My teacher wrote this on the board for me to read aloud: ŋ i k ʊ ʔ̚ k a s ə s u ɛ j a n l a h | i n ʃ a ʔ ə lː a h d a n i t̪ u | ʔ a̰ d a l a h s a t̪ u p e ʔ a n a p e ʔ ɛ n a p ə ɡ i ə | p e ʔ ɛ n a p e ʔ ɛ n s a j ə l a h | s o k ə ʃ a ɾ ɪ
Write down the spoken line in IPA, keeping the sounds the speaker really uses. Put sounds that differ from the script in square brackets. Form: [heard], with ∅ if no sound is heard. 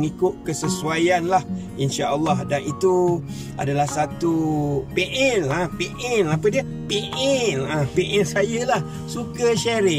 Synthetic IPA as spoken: ŋ i k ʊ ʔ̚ k [ə] s ə s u [a] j a n l a h | i n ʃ a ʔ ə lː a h d a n i t̪ u | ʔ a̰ d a l a h s a t̪ u p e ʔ [ɛ] n a p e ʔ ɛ n a p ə [d] i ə | p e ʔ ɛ n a p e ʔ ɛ n s a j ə l a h | s [u] k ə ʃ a ɾ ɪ